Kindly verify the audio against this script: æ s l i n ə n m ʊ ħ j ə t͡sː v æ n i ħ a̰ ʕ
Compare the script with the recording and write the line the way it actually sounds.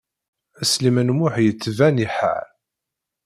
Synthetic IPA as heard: æ s l i m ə n m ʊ ħ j ə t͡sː v æ n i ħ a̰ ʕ